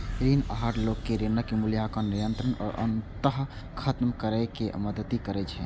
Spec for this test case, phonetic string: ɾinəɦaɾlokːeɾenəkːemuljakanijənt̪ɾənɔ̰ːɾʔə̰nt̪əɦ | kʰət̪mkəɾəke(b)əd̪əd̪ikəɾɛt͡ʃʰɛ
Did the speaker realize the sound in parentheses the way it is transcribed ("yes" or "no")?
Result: no